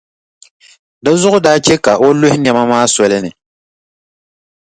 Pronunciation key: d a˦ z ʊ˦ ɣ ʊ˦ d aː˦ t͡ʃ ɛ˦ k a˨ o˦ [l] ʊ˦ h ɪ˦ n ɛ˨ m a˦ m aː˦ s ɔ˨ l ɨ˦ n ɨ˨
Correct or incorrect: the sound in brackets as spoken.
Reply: correct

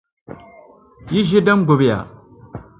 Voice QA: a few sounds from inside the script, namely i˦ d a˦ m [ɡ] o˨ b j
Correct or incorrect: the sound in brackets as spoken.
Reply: correct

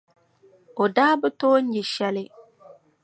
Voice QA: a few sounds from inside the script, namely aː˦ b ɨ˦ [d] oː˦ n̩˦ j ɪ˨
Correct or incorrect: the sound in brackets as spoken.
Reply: incorrect: t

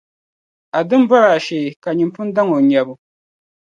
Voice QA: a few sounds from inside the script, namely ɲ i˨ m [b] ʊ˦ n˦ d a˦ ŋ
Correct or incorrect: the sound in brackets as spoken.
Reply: incorrect: p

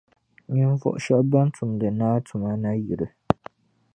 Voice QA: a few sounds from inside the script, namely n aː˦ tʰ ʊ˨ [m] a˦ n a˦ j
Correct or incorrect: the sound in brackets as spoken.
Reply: correct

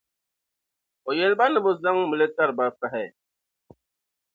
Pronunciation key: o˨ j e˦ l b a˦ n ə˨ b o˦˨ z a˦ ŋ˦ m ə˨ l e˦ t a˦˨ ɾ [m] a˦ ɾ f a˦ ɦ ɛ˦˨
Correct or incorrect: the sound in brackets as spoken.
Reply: incorrect: b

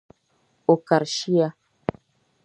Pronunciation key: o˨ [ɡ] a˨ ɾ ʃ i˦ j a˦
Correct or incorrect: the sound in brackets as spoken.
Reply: incorrect: k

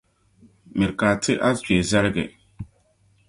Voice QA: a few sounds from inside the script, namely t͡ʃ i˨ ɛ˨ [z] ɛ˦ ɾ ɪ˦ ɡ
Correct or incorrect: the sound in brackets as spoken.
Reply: correct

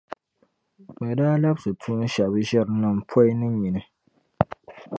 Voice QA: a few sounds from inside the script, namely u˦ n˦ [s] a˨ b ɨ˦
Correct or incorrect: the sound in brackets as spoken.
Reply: incorrect: ʃ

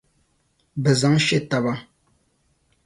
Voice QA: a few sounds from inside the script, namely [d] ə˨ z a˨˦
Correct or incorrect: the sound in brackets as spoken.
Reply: incorrect: b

